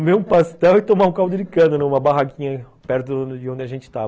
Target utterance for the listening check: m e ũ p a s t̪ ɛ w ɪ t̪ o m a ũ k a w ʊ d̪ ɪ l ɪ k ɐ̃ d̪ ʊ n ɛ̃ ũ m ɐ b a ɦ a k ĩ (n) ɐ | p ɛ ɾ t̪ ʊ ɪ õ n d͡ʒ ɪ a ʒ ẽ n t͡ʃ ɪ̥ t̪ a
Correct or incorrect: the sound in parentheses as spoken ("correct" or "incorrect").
incorrect